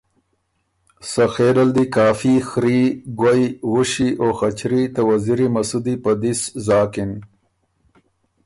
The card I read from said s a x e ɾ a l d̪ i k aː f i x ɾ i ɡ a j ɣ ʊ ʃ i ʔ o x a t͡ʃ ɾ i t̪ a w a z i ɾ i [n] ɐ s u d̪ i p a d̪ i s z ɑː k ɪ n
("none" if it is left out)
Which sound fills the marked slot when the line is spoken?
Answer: m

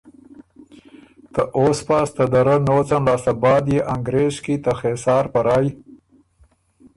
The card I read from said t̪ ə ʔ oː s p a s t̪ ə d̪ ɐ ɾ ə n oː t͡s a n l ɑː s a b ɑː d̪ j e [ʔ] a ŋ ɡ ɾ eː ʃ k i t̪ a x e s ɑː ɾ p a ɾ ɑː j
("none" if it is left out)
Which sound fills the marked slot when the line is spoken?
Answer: ʔ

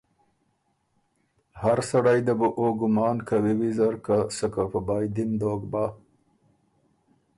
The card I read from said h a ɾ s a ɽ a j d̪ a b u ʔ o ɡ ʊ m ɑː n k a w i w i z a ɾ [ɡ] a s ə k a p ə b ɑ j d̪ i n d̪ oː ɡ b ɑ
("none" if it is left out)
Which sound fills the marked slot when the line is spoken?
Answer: k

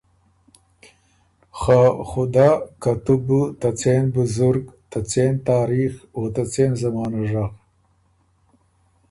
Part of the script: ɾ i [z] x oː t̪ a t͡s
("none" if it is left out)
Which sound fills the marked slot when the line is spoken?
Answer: none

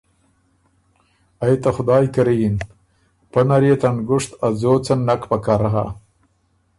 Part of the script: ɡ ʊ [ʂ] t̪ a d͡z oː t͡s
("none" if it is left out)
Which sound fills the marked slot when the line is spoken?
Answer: ʂ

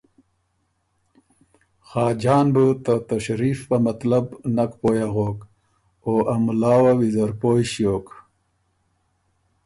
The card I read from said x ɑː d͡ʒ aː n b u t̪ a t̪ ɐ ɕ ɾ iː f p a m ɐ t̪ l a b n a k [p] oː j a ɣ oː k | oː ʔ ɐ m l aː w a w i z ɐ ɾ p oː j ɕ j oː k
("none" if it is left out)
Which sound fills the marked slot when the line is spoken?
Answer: p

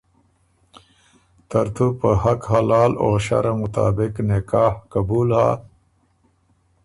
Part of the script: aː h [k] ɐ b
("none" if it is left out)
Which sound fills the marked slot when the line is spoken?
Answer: k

